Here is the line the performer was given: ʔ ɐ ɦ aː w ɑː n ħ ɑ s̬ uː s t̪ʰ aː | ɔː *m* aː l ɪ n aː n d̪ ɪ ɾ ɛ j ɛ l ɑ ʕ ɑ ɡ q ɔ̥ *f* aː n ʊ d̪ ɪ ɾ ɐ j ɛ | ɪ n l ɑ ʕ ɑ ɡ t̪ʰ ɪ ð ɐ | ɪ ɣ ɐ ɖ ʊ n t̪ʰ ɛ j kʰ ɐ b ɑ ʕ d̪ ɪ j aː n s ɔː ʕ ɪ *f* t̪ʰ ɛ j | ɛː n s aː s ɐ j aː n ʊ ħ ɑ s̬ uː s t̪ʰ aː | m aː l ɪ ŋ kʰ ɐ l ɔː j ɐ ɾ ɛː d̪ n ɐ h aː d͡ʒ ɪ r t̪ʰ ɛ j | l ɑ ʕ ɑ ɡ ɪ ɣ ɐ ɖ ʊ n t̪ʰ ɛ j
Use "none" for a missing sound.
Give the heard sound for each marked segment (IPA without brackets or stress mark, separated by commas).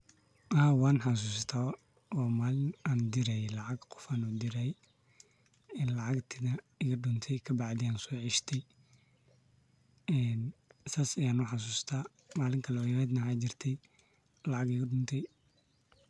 m, f, ʃ